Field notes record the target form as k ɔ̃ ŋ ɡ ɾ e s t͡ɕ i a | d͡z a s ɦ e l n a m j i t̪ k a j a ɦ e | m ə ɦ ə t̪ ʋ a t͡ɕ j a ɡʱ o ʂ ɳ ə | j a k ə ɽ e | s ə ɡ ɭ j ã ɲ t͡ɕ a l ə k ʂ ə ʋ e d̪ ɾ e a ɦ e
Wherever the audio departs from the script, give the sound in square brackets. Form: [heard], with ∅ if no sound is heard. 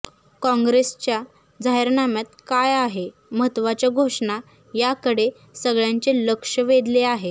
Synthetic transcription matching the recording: k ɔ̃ ŋ ɡ ɾ e s t͡ɕ [j] a | d͡z a [∅] ɦ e [ɾ] n a m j [a] t̪ k a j a ɦ e | m ə ɦ ə t̪ ʋ a t͡ɕ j a ɡʱ o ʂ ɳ [a] | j a k ə ɽ e | s ə ɡ ɭ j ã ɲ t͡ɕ [e] l ə k ʂ ə ʋ e d̪ [l] e a ɦ e